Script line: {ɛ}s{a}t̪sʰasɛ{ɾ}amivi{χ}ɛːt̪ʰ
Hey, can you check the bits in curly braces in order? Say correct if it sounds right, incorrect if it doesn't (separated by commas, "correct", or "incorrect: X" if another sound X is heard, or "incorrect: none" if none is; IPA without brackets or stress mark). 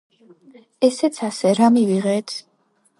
correct, incorrect: ɛ, correct, incorrect: ʁ